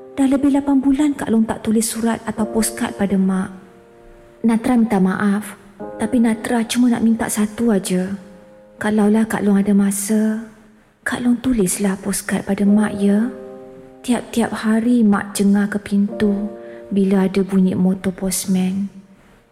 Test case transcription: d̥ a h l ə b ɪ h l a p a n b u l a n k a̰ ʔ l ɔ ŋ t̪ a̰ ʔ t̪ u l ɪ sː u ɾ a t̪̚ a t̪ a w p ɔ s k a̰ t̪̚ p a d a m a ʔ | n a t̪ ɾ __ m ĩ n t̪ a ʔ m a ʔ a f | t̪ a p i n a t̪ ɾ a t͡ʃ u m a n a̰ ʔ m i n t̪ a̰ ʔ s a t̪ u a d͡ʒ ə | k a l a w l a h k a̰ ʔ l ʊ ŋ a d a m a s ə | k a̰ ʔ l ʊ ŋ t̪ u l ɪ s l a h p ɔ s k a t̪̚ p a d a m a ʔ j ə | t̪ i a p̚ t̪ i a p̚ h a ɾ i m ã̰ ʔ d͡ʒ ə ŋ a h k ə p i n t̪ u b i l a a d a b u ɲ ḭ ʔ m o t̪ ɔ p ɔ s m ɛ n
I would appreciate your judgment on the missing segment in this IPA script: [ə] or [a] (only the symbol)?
a